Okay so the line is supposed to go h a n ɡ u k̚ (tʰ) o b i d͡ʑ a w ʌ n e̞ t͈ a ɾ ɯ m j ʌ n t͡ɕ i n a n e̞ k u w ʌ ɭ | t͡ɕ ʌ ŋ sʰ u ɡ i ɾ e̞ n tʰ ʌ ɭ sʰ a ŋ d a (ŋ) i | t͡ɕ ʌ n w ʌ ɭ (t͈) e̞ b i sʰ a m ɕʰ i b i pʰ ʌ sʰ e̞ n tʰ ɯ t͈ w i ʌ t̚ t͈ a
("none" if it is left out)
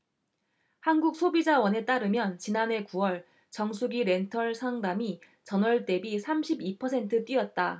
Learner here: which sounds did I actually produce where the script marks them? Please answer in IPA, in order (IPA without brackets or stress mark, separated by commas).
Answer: sʰ, m, t͈